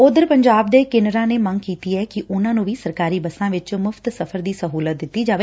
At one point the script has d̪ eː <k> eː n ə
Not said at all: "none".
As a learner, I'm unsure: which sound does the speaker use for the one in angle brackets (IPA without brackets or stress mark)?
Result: k